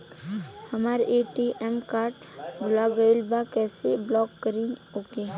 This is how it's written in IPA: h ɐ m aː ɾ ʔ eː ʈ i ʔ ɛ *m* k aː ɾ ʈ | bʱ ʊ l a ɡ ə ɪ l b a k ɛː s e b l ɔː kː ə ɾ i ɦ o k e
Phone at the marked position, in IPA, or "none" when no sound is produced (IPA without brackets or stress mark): m